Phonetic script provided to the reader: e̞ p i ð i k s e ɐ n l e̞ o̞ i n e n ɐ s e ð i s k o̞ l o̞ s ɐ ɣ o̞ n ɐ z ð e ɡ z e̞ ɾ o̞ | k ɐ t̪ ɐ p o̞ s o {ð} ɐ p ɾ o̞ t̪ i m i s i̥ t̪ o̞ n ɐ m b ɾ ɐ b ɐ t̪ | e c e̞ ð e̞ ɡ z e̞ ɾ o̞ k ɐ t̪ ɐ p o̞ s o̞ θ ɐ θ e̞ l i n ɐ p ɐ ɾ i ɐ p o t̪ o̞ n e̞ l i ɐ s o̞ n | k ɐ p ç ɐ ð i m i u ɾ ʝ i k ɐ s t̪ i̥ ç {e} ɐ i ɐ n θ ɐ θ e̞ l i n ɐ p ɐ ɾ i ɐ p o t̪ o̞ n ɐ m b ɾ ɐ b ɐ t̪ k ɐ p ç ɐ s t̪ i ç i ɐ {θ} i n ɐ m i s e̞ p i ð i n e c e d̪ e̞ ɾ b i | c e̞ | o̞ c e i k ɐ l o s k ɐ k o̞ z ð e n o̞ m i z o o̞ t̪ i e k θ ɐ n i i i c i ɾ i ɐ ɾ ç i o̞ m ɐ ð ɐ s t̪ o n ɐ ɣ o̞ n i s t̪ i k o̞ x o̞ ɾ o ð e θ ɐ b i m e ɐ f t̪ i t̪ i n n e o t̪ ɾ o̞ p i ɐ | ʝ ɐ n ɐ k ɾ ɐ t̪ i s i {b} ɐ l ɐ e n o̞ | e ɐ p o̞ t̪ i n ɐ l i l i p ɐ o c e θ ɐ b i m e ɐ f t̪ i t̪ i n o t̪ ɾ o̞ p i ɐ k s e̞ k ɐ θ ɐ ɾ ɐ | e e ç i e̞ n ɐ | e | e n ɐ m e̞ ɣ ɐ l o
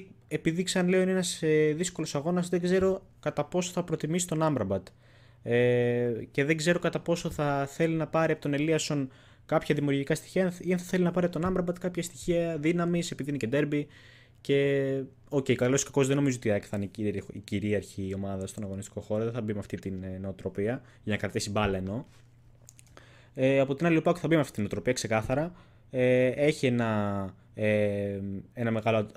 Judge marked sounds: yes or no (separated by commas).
no, no, no, yes